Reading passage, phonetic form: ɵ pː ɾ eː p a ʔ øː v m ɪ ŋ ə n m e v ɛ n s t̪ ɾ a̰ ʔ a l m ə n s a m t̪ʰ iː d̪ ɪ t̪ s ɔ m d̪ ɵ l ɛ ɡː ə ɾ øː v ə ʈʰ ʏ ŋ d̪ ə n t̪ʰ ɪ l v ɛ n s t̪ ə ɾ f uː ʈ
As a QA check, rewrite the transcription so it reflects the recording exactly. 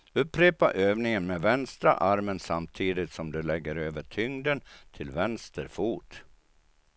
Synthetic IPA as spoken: ɵ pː ɾ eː p a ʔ øː v n ɪ ŋ ə n m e v ɛ n s t̪ ɾ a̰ ʔ a ɾ m ə n s a m t̪ʰ iː d̪ ɪ t̪ s ɔ m d̪ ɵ l ɛ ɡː ə ɾ øː v ə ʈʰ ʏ ŋ d̪ ə n t̪ʰ ɪ l v ɛ n s t̪ ə ɾ f uː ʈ

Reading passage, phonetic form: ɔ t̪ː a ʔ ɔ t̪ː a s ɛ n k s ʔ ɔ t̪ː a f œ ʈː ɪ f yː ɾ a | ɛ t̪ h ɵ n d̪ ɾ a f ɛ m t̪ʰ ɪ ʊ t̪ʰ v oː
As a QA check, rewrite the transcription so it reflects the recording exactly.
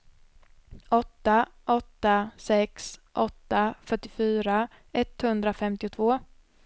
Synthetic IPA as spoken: ɔ t̪ː a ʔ ɔ t̪ː a s ɛ k s ʔ ɔ t̪ː a f œ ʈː ɪ f yː ɾ a | ɛ t̪ h ɵ n d̪ ɾ a f ɛ m t̪ ɪ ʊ t̪ʰ v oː

